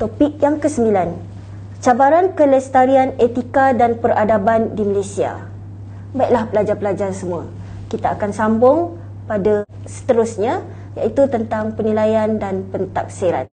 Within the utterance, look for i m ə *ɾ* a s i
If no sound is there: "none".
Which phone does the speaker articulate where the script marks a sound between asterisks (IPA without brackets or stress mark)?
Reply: l